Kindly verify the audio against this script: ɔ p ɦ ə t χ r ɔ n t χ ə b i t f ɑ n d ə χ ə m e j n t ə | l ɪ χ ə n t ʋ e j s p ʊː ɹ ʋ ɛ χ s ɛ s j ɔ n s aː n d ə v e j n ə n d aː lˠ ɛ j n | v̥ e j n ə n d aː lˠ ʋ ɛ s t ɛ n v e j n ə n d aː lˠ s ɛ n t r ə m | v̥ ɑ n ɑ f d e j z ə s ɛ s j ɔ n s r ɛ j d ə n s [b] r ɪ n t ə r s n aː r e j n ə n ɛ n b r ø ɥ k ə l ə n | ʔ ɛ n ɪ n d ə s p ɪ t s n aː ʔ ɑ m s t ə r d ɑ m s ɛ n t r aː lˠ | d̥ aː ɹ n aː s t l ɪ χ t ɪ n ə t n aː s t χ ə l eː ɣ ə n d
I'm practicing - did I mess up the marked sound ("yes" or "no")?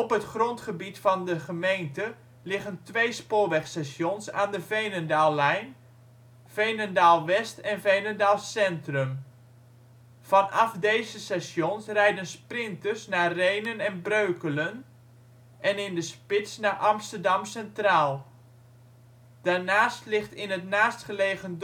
yes